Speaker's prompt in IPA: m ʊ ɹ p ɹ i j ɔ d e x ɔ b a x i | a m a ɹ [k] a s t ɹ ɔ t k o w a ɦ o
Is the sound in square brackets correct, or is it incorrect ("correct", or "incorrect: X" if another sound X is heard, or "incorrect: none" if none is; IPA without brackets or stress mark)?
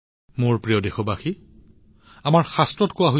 incorrect: x